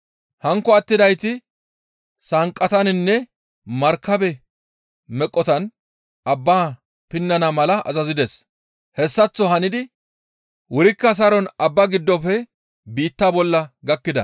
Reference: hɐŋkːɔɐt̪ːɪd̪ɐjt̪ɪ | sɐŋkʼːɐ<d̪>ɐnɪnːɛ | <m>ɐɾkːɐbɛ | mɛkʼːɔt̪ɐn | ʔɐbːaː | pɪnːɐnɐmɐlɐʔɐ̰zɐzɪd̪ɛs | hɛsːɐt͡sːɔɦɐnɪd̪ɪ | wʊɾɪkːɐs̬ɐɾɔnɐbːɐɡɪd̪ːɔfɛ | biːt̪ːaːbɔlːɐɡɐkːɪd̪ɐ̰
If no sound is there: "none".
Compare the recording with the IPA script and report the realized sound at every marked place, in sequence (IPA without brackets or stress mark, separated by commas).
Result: t̪, m